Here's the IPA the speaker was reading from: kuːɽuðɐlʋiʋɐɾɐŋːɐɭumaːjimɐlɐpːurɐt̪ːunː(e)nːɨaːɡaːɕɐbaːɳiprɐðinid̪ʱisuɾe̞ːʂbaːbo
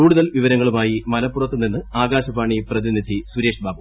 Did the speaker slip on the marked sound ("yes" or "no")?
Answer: yes